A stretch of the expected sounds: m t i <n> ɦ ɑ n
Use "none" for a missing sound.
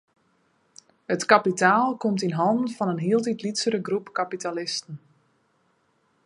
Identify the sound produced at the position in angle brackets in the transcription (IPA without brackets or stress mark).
n